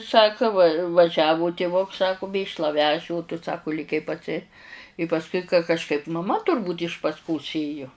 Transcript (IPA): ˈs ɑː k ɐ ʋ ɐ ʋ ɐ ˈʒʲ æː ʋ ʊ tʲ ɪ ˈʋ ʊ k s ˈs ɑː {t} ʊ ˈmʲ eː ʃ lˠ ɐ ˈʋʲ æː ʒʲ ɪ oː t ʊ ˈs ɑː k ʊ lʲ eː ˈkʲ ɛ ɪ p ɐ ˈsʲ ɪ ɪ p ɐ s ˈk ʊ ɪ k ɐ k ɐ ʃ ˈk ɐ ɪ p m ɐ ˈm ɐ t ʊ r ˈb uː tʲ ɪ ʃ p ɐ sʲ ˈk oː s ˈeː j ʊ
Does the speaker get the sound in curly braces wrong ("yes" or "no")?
yes